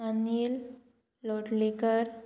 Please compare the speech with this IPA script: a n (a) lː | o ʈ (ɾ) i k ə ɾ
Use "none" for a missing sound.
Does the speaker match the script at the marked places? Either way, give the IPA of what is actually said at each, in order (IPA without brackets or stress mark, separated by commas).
i, l